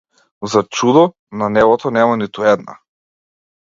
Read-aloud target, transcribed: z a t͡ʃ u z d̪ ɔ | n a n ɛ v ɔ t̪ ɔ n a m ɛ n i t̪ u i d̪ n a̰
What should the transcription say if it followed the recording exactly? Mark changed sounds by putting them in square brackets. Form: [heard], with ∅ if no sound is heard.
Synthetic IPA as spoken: z a t͡ʃ u [∅] d̪ ɔ | n a n ɛ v ɔ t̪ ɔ n [ɛ] m [a] n i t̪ u [ɛ] d̪ n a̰